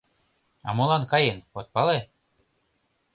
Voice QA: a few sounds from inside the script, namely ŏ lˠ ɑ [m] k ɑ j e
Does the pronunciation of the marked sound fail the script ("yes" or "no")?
yes